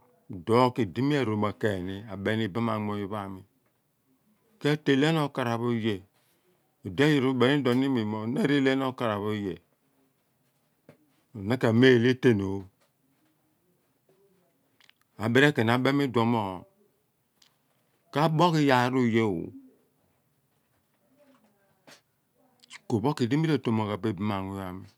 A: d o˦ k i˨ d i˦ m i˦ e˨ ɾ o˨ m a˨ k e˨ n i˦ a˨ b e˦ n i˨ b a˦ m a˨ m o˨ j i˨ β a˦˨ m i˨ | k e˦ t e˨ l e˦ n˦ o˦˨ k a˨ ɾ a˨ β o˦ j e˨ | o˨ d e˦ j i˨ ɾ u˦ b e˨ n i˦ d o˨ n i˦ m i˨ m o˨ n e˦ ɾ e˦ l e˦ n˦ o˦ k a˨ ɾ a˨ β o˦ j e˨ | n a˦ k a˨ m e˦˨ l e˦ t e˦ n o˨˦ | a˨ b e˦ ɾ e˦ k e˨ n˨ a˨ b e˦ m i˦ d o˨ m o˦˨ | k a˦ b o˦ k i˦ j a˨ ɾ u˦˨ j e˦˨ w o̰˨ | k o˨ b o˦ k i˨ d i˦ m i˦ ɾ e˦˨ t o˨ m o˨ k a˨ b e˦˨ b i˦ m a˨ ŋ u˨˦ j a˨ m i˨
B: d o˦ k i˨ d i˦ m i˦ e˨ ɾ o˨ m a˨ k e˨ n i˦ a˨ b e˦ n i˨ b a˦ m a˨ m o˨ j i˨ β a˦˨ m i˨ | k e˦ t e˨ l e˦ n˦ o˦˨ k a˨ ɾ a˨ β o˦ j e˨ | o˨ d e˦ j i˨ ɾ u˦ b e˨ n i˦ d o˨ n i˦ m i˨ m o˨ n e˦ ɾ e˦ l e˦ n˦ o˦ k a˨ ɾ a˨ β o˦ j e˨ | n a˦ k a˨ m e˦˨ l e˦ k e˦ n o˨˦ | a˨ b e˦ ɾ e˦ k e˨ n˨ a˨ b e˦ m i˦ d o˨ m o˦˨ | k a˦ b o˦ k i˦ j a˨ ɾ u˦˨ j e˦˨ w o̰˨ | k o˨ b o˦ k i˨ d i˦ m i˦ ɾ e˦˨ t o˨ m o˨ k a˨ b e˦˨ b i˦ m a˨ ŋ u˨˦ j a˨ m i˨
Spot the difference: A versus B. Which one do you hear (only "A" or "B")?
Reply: A